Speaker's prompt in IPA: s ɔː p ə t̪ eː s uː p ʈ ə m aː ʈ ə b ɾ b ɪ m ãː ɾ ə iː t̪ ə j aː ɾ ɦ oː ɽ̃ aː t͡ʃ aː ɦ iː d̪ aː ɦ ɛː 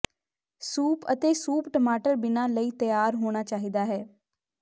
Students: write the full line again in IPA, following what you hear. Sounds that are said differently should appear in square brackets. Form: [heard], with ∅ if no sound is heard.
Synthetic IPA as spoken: s [uː] p ə t̪ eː s uː p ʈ ə m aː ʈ ə [∅] ɾ b ɪ [n] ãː [l] ə iː t̪ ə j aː ɾ ɦ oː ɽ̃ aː t͡ʃ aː ɦ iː d̪ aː ɦ ɛː